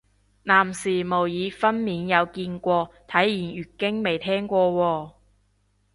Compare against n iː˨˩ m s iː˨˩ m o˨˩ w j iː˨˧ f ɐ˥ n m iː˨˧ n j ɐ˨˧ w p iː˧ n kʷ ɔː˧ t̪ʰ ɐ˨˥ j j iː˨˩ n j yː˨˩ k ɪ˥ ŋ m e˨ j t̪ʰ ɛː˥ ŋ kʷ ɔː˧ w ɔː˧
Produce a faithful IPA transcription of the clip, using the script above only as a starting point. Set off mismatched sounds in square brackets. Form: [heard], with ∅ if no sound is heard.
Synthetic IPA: n [aː˨˩] m s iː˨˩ m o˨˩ w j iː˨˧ f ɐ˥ n m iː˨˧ n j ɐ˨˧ w [k] iː˧ n kʷ ɔː˧ t̪ʰ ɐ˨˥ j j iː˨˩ n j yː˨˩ k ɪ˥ ŋ m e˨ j t̪ʰ ɛː˥ ŋ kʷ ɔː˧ w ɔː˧